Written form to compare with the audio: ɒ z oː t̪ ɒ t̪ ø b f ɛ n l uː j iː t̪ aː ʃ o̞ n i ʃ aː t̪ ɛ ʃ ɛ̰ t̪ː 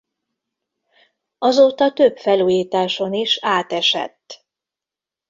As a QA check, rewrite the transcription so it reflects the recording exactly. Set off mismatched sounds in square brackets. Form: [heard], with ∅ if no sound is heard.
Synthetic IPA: ɒ z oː t̪ ɒ t̪ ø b f ɛ [∅] l uː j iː t̪ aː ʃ o̞ n i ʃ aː t̪ ɛ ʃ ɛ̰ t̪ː

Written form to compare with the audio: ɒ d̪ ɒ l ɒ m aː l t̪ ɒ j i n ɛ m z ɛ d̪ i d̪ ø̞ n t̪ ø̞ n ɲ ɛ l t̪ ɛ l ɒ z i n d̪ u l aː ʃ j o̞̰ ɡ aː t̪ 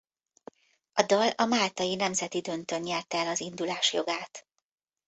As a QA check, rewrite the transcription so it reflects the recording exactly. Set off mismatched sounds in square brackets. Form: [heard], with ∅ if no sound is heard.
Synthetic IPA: ɒ d̪ ɒ l ɒ m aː l t̪ ɒ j i n ɛ m z ɛ [t̪] i d̪ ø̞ n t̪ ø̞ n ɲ ɛ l t̪ ɛ l ɒ z i n d̪ u l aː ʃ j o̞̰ ɡ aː t̪

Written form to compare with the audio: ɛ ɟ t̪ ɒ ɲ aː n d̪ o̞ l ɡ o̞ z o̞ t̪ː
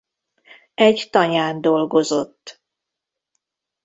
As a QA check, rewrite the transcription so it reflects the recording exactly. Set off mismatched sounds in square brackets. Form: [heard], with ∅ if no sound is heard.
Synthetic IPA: ɛ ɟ t̪ ɒ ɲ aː n d̪ o̞ l ɡ o̞ z o̞ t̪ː

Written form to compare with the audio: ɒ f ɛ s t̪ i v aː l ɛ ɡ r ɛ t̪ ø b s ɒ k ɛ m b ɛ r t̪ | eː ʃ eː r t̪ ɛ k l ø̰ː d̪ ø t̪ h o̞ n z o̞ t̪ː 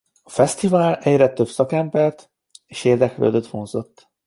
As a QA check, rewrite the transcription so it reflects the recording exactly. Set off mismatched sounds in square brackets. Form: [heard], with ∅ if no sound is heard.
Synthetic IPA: ɒ f ɛ s t̪ i v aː l ɛ [ɟ] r ɛ t̪ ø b s ɒ k ɛ m b ɛ r t̪ | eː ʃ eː r [d̪] ɛ k l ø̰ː d̪ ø t̪ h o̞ n z o̞ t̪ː

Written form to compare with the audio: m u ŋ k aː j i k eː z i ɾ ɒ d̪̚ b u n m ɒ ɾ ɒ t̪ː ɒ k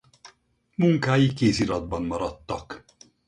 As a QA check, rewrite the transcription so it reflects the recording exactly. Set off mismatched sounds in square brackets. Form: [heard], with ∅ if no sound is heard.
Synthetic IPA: m u ŋ k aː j i k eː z i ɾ ɒ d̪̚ b [ɒ] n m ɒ ɾ ɒ t̪ː ɒ k

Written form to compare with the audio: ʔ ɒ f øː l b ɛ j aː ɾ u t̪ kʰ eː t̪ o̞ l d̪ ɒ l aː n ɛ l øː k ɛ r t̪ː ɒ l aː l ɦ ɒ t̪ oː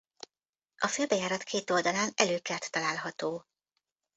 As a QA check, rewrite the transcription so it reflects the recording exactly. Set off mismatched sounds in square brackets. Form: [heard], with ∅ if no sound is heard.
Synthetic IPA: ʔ ɒ f øː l b ɛ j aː ɾ [ɒ] t̪ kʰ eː t̪ o̞ l d̪ ɒ l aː n ɛ l øː k ɛ r t̪ː ɒ l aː l ɦ ɒ t̪ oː

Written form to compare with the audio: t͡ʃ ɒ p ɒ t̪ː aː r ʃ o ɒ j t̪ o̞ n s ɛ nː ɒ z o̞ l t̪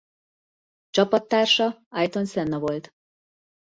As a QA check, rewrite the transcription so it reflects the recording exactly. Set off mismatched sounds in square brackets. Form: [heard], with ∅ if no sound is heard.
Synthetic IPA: t͡ʃ ɒ p ɒ t̪ː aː r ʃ [ɒ] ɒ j t̪ o̞ n s ɛ nː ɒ [v] o̞ l t̪

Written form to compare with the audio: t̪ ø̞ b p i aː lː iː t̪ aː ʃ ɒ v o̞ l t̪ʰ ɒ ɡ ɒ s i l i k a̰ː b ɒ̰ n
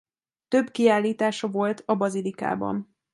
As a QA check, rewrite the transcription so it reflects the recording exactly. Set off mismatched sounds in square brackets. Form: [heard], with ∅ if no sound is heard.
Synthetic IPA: t̪ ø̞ b [k] i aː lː iː t̪ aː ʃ ɒ v o̞ l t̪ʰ ɒ [b] ɒ [z] i l i k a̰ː b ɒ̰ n

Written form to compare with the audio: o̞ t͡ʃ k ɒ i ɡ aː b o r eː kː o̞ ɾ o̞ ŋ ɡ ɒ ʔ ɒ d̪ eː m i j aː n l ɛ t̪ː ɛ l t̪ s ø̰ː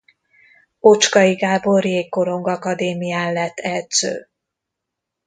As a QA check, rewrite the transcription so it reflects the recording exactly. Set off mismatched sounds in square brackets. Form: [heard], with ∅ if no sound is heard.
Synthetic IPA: o̞ t͡ʃ k ɒ i ɡ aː b o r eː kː o̞ ɾ o̞ ŋ ɡ ɒ [k] ɒ d̪ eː m i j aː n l ɛ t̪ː ɛ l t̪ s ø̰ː

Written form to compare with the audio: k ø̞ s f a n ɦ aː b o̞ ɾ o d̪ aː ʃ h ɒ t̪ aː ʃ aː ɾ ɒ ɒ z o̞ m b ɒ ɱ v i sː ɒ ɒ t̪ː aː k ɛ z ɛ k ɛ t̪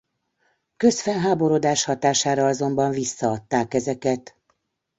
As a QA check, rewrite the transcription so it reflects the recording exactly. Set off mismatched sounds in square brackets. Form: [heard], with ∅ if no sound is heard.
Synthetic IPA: k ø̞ s f [ɛ] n ɦ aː b o̞ ɾ o d̪ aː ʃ h ɒ t̪ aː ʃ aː ɾ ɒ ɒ z o̞ m b ɒ ɱ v i sː ɒ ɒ t̪ː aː k ɛ z ɛ k ɛ t̪

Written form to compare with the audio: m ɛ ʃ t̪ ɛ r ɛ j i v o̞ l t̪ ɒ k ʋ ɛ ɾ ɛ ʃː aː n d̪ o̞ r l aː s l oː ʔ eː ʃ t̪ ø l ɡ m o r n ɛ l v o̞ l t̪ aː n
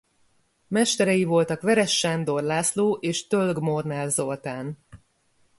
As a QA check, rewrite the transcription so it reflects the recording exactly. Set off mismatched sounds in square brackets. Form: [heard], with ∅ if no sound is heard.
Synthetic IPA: m ɛ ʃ t̪ ɛ [ɾ] ɛ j i v o̞ l t̪ ɒ k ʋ ɛ ɾ ɛ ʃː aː n d̪ o̞ r l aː s l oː ʔ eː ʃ t̪ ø l ɡ m o r n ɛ l [z] o̞ l t̪ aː n

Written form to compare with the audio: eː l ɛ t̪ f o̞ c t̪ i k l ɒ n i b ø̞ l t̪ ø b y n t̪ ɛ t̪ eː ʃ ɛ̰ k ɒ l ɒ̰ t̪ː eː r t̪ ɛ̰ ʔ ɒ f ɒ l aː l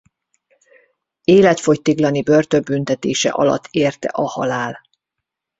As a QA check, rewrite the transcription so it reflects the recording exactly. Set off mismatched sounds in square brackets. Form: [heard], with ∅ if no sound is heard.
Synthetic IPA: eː l ɛ t̪ f o̞ c t̪ i [ɡ] l ɒ n i b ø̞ [r] t̪ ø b y n t̪ ɛ t̪ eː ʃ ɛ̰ [ʔ] ɒ l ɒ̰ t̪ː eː r t̪ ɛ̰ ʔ ɒ [h] ɒ l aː l

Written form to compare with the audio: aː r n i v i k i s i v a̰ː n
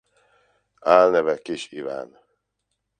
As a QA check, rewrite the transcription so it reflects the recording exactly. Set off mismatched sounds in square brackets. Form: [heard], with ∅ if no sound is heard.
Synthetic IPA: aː [l] n [ɛ] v [ɛ] k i [ʃ] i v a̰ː n

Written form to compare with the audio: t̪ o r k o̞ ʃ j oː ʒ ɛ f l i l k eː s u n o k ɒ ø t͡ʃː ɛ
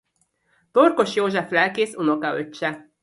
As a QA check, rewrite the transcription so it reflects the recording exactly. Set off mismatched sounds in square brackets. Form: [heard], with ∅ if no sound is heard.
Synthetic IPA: t̪ o r k o̞ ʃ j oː ʒ ɛ f l [ɛ] l k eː s u n o k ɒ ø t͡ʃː ɛ

